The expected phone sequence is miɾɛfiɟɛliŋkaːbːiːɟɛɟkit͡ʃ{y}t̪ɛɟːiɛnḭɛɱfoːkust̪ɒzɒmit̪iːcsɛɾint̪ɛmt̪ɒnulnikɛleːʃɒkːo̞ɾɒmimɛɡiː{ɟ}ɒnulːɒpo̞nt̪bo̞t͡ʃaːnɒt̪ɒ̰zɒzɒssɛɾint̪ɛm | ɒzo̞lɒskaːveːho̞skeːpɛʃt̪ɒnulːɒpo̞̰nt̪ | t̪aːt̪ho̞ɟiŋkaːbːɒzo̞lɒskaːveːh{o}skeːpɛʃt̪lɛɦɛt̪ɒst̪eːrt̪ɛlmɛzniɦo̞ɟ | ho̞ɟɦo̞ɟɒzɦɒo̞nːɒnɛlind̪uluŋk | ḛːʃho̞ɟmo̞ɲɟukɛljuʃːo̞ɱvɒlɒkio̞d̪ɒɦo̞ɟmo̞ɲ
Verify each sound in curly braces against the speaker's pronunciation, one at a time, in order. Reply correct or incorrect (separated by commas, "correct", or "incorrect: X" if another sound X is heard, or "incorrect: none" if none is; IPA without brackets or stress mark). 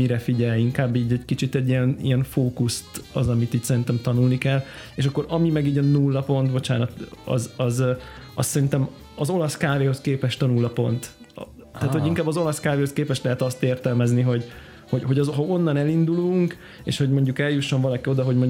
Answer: incorrect: i, correct, correct